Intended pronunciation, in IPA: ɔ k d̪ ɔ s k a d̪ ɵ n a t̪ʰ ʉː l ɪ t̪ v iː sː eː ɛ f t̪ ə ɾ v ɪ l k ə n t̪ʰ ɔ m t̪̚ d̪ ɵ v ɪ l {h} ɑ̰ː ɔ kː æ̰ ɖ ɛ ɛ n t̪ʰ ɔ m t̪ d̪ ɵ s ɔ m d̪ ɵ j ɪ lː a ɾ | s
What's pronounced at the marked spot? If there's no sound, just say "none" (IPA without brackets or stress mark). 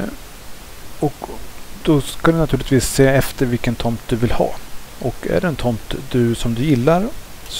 h